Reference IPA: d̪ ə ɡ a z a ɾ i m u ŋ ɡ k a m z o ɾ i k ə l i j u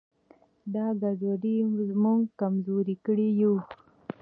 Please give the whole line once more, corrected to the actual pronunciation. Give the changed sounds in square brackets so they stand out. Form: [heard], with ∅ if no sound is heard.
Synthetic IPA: d̪ [ɑ] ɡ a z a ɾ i m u ŋ ɡ k a m z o ɾ i k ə [ɽ] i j u